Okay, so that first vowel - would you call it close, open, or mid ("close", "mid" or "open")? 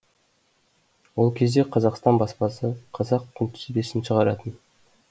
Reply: mid